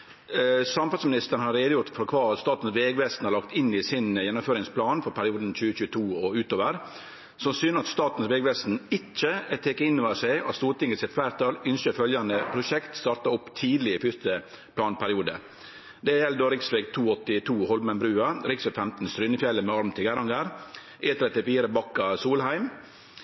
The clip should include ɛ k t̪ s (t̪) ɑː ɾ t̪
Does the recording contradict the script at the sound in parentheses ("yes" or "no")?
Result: no